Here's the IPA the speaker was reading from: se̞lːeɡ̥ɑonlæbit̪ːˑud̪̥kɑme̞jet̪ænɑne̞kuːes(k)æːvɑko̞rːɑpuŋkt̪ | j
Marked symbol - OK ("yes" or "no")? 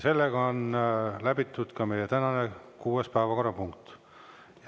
no